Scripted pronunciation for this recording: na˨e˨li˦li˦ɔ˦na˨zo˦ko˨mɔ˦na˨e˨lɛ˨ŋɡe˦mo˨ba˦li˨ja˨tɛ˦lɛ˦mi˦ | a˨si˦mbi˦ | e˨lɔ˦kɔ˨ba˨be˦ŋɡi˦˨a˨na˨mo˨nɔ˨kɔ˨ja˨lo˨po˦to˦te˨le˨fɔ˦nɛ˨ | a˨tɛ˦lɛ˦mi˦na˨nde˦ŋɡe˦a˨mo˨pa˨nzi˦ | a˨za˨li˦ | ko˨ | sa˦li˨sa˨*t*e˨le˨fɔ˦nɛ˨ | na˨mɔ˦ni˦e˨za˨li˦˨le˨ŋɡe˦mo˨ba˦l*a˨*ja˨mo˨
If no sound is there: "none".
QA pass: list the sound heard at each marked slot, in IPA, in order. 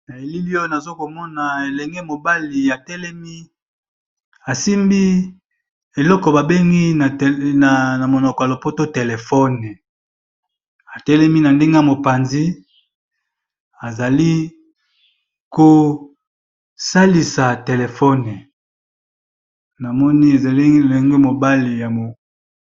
t, i˨

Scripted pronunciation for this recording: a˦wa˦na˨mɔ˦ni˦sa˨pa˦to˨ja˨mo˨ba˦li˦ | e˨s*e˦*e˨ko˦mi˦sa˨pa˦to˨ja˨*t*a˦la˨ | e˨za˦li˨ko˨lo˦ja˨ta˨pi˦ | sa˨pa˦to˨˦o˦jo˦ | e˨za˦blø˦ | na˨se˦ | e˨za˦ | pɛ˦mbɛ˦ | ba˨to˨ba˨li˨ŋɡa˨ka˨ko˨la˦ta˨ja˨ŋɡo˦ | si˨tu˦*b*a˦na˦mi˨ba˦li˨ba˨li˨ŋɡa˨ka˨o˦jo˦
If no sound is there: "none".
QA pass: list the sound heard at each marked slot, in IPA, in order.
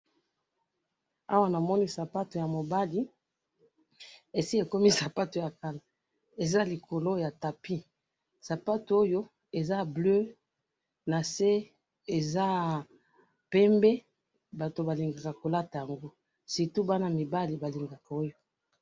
i˦, k, b

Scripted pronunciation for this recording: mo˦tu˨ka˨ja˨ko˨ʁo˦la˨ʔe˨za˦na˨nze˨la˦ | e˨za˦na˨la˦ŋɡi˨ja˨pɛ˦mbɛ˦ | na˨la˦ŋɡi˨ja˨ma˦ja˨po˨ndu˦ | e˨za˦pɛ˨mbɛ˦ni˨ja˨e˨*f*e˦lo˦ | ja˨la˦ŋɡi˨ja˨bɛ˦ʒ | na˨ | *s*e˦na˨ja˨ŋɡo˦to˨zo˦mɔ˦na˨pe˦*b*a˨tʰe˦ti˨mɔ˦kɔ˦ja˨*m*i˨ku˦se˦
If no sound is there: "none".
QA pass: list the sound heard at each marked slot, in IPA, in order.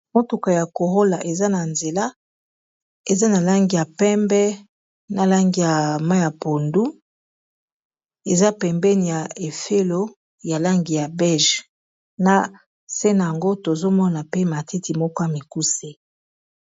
f, s, m, m

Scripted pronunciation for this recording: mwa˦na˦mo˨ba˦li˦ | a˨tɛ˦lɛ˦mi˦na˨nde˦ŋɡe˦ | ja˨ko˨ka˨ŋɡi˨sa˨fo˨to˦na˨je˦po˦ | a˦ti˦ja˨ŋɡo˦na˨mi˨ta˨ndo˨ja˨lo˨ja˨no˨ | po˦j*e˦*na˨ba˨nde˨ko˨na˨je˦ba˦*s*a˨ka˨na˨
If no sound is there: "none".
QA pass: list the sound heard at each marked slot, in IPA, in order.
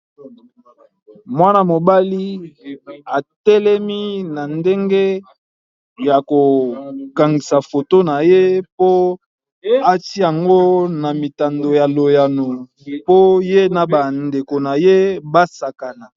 e˦, s

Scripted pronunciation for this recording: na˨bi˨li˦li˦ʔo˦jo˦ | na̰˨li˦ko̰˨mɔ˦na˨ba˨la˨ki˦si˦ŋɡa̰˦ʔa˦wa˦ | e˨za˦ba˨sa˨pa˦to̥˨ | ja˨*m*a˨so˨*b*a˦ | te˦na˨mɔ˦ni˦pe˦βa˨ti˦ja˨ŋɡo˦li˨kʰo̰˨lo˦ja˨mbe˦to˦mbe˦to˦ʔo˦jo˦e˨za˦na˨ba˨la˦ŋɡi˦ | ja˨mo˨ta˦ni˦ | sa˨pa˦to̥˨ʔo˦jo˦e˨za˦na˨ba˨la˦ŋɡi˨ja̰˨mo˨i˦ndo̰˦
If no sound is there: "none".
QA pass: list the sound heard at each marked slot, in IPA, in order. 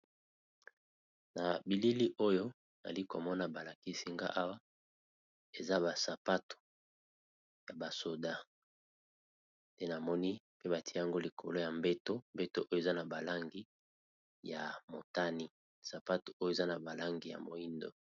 b, d

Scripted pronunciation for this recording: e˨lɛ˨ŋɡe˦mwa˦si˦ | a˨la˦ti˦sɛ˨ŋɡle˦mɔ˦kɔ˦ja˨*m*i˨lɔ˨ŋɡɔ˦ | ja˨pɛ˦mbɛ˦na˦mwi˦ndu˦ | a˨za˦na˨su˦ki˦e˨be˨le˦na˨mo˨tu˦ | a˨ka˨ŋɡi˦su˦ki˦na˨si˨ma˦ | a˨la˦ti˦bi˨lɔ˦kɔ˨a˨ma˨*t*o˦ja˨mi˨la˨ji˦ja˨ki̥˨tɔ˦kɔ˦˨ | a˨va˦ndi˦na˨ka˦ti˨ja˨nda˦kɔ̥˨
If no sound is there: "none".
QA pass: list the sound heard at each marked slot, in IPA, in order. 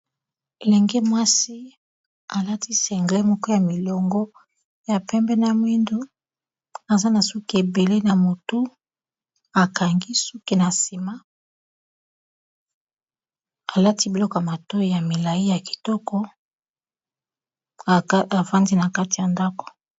m, t

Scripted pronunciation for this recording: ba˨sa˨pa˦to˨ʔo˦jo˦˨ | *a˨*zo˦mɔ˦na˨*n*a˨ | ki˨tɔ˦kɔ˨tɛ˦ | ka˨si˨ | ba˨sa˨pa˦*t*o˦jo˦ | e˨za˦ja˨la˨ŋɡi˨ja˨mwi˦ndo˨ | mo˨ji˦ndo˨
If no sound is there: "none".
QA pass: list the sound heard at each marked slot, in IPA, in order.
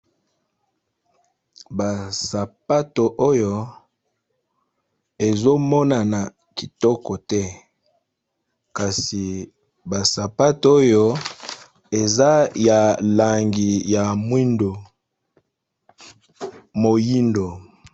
e˨, n, t

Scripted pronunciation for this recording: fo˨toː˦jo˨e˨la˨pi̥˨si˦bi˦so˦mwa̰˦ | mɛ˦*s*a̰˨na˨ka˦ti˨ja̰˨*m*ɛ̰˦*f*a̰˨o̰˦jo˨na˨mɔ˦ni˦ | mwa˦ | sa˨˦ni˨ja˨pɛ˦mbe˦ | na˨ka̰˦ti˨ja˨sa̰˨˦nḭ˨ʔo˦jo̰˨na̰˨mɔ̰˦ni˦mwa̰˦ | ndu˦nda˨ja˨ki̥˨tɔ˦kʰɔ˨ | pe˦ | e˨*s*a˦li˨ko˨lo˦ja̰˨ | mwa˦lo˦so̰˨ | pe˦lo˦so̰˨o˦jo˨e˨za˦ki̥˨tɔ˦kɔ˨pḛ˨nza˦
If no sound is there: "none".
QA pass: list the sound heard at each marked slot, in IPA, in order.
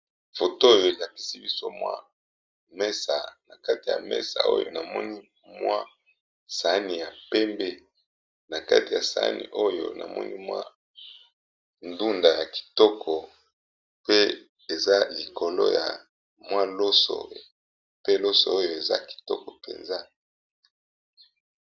s, m, s, z

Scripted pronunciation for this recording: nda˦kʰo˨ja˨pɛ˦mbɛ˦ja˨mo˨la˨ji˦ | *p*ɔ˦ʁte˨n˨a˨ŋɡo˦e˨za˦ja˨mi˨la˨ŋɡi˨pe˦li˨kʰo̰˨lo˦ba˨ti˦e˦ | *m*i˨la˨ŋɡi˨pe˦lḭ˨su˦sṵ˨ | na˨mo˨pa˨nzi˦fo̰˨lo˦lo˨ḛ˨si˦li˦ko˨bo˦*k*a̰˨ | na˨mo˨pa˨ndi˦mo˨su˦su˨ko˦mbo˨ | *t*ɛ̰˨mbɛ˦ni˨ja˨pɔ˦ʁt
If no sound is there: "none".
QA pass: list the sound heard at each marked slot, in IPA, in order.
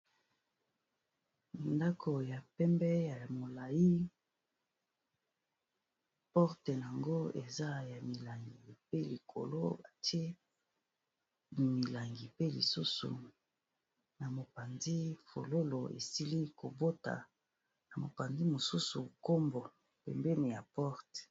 p, m, t, p

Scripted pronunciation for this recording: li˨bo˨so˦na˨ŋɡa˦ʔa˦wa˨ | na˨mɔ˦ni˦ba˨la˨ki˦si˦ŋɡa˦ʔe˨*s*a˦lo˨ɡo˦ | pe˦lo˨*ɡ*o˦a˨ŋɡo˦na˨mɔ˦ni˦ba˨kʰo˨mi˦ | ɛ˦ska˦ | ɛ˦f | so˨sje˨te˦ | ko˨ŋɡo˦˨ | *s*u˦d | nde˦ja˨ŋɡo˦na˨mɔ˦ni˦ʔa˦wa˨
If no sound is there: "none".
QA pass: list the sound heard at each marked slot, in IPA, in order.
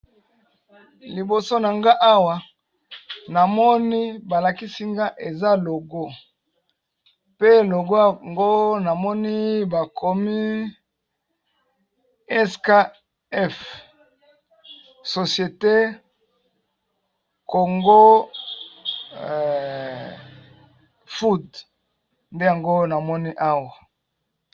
z, ɡ, f

